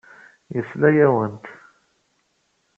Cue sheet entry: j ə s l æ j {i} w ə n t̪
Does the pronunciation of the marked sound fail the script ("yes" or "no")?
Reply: yes